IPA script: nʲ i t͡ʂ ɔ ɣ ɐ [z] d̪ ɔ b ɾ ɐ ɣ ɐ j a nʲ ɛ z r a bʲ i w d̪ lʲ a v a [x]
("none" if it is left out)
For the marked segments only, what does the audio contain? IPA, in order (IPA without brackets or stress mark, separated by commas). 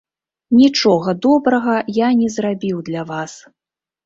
none, s